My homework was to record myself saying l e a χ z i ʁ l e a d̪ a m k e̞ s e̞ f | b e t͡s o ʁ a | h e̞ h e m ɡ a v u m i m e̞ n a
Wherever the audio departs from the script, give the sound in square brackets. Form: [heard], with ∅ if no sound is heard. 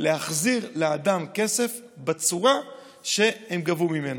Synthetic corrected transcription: l e a χ z i ʁ l e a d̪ a m k e̞ s e̞ f | b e t͡s [u] ʁ a | [ʃ] e̞ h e m ɡ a v u m i m e̞ n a